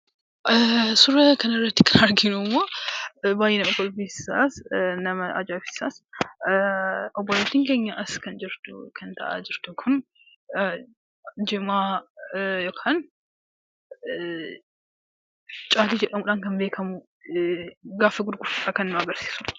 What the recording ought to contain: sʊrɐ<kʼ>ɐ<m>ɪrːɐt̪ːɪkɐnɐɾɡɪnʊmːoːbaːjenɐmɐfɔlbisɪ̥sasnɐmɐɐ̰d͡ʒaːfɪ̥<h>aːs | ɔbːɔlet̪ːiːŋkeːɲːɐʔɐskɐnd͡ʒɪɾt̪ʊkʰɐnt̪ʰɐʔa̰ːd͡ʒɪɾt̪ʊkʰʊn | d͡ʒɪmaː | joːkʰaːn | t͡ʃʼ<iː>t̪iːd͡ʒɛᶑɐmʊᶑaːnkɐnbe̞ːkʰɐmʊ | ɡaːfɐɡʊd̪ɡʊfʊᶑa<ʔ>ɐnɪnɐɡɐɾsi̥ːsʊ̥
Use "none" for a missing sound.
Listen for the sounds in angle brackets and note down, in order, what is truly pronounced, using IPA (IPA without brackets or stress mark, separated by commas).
k, n, s, aː, k